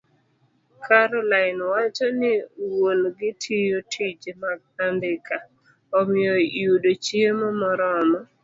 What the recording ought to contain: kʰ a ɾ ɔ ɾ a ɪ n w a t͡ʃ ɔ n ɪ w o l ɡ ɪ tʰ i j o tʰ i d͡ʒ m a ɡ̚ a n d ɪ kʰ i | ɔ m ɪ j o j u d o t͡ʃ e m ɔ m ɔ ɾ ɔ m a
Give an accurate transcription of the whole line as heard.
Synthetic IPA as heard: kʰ a ɾ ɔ l a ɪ n w a t͡ʃ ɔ n ɪ w o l ɡ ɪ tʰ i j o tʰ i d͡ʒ m a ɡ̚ a n d ɪ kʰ a | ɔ m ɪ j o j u d o t͡ʃ e m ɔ m ɔ ɾ ɔ m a